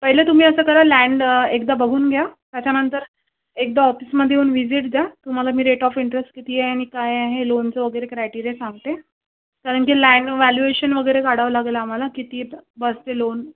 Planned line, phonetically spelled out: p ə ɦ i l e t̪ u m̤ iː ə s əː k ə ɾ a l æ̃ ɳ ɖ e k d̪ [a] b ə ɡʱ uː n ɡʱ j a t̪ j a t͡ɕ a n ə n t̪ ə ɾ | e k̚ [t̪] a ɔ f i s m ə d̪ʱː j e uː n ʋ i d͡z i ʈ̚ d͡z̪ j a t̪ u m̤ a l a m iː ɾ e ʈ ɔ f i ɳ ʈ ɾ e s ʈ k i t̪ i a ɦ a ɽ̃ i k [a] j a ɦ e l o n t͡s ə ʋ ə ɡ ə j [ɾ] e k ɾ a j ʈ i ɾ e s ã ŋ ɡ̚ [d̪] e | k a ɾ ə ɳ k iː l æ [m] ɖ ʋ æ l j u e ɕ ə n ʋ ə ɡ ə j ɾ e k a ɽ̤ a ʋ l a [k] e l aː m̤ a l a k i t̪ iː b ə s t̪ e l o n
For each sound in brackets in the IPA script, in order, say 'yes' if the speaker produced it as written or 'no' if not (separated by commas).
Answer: yes, no, yes, yes, no, no, no